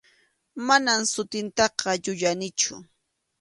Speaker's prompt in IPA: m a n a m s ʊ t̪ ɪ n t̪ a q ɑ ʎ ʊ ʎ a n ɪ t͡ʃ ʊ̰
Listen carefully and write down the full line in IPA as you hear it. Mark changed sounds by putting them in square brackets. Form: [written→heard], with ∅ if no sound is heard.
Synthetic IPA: m a n a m s ʊ t̪ ɪ n t̪ [a→ɑ] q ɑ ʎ ʊ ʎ a n ɪ t͡ʃ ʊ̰